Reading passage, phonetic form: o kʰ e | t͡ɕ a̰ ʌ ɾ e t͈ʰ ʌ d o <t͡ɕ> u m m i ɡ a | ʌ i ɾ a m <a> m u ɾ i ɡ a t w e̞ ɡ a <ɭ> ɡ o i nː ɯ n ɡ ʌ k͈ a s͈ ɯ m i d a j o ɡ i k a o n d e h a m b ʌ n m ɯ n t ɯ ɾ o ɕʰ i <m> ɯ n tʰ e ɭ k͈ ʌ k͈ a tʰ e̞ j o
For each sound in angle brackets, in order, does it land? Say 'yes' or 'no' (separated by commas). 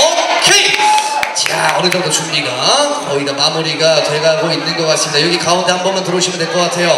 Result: yes, yes, yes, yes